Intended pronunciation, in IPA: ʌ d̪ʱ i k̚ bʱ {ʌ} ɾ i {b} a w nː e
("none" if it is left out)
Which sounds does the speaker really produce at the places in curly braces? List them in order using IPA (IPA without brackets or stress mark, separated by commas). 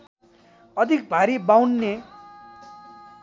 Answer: a, b